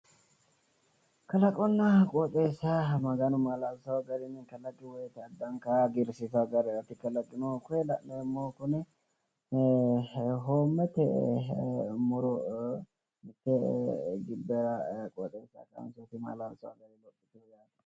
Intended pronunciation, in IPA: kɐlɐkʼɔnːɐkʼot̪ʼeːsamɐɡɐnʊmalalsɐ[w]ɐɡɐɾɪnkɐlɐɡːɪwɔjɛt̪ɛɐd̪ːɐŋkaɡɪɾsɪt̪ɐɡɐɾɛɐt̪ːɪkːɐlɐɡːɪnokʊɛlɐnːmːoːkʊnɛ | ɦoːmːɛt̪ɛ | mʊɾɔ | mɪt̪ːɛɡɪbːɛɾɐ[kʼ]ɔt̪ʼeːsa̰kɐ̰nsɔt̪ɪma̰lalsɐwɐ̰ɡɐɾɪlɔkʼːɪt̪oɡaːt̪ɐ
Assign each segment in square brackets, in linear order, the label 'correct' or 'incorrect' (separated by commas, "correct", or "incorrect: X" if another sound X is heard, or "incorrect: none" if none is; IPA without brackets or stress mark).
correct, correct